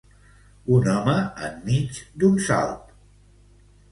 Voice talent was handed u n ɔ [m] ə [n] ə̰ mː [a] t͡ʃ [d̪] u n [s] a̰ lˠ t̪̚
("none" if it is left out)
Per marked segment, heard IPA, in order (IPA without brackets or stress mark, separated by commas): m, none, i, d̪, s